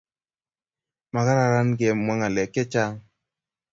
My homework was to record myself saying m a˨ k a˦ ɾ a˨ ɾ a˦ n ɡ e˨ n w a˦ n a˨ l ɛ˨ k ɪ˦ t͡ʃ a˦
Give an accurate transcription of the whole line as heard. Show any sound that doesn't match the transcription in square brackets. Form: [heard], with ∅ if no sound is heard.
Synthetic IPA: m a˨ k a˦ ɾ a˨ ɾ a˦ n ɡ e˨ [m] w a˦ [ŋ] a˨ l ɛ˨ k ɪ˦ t͡ʃ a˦